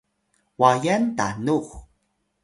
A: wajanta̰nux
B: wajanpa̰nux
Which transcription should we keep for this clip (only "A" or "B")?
A